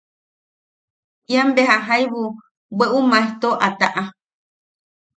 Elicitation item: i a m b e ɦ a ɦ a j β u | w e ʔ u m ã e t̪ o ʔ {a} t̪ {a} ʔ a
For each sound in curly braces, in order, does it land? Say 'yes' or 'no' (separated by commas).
yes, yes